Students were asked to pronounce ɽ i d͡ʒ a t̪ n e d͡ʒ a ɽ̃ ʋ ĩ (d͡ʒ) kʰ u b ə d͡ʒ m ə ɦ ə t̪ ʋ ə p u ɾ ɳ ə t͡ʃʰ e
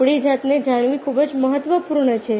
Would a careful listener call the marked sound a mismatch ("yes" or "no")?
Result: yes